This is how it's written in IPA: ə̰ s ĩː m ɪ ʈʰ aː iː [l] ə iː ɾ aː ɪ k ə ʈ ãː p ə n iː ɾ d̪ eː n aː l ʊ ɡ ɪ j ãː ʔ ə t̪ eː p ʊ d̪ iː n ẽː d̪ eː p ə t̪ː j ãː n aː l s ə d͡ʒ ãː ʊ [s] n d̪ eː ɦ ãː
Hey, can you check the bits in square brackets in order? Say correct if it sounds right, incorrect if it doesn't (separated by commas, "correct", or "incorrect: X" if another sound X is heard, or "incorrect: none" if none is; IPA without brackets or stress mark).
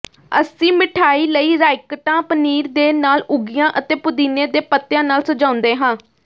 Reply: correct, incorrect: none